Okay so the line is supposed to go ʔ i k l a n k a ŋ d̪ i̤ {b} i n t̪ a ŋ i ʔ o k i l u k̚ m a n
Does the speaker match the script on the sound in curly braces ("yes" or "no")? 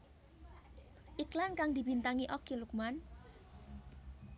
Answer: yes